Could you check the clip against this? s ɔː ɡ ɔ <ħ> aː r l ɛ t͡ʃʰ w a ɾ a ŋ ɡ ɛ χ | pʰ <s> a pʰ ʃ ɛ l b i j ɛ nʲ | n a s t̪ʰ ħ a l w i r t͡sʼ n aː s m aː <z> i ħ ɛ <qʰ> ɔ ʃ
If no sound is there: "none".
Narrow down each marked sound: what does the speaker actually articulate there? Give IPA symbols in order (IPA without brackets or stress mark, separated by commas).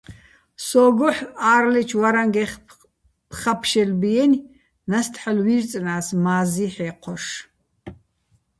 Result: ħ, χ, z, qʰ